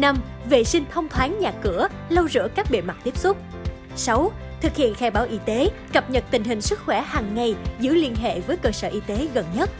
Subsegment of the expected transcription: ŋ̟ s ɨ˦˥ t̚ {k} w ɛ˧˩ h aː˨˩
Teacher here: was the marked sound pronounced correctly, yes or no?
no